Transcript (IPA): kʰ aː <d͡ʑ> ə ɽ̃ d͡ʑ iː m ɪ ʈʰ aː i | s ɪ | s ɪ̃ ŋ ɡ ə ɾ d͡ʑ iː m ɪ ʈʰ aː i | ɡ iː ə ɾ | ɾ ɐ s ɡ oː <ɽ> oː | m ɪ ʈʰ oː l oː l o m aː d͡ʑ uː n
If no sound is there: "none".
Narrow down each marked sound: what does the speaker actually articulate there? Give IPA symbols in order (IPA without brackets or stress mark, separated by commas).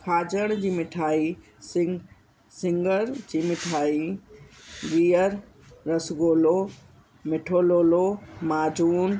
d͡ʑ, l